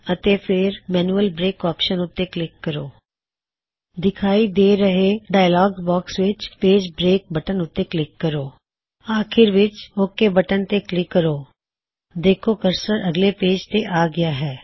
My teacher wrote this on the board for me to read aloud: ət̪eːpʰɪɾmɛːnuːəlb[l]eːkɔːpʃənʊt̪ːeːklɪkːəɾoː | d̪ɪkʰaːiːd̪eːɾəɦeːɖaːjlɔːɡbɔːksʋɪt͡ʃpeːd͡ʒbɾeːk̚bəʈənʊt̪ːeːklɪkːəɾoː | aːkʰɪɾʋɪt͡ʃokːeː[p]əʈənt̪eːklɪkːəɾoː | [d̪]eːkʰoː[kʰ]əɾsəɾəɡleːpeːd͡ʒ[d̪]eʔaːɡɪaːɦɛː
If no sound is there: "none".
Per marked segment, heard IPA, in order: ɾ, b, d̪, k, t̪

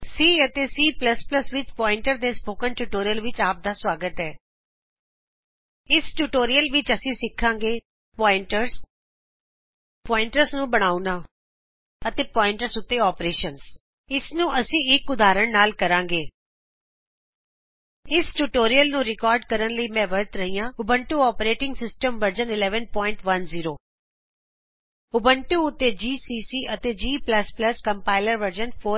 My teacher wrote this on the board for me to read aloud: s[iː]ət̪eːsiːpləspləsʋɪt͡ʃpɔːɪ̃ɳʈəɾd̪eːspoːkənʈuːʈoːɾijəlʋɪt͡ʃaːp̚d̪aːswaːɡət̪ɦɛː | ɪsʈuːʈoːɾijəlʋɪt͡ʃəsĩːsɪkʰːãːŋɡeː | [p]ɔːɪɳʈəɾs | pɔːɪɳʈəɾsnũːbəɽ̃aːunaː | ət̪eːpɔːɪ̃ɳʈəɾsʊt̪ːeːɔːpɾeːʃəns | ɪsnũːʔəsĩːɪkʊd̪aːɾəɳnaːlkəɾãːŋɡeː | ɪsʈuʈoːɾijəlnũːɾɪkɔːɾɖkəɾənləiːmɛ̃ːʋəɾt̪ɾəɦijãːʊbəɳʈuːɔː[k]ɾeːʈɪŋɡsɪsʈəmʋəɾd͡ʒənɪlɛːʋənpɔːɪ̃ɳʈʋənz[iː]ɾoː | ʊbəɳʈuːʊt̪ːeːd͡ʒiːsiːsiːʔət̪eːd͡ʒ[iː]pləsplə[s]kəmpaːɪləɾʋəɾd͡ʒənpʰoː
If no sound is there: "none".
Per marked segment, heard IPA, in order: iː, p, p, iː, iː, s

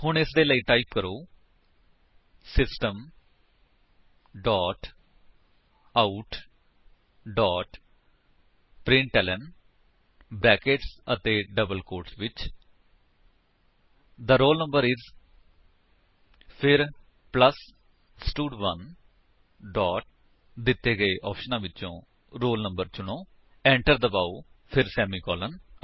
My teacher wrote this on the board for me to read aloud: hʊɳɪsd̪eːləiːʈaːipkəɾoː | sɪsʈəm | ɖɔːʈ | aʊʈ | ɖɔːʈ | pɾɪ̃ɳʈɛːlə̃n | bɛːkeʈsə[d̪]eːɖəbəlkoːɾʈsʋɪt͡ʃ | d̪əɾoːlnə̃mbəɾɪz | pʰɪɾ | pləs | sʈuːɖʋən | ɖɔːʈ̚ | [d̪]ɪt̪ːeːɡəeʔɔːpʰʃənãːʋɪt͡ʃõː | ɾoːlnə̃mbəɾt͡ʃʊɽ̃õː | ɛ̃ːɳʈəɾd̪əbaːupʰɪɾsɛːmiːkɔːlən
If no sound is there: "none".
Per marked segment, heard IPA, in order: t̪, d̪

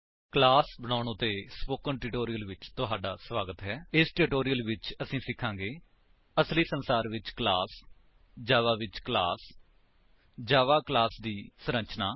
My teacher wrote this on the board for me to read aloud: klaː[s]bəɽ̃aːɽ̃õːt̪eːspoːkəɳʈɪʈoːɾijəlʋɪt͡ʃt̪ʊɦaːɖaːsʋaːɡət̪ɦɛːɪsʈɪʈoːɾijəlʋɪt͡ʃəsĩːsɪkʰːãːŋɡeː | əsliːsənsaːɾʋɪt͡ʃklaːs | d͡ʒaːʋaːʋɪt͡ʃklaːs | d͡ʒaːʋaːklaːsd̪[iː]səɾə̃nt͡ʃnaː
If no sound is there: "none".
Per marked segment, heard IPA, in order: s, iː

